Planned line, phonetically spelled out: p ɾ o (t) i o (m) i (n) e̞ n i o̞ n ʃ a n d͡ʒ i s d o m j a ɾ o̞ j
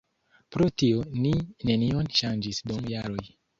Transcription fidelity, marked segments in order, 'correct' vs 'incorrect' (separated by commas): correct, incorrect, correct